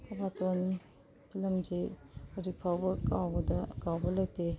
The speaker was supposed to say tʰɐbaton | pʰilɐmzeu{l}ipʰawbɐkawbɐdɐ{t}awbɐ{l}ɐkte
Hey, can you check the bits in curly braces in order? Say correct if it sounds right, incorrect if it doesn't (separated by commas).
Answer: incorrect, incorrect, correct